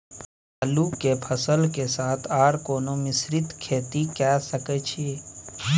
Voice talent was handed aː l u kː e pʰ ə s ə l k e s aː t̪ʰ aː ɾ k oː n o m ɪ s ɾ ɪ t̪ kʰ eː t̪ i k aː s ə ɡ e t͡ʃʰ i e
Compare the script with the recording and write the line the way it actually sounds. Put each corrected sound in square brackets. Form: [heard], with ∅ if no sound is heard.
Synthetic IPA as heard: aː l u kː e pʰ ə s ə l k e s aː t̪ʰ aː ɾ k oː n o m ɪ s ɾ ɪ t̪ kʰ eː t̪ i k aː s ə [k] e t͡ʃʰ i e